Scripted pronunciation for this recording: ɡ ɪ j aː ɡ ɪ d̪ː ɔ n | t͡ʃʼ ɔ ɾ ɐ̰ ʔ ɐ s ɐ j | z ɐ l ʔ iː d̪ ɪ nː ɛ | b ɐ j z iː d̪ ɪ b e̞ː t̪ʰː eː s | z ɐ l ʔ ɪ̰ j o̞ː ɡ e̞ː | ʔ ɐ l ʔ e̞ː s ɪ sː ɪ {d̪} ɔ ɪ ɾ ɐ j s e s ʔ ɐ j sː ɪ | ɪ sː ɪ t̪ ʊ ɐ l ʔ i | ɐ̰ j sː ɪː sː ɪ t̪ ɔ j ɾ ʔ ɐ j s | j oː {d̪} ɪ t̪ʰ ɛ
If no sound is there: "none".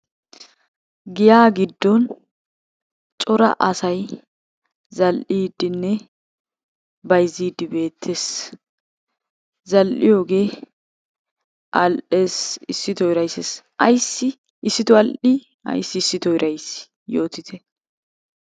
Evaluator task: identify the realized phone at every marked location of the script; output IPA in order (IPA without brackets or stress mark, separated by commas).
t̪, t̪